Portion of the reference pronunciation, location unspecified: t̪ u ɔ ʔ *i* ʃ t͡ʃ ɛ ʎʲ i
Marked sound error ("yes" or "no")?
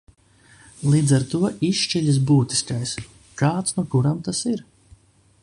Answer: no